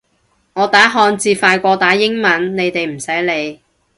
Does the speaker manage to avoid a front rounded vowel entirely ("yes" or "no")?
yes